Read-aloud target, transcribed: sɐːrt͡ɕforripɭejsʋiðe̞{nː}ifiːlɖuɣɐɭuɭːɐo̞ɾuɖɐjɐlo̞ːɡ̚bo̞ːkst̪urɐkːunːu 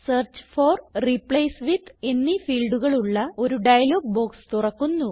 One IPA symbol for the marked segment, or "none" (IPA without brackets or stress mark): nː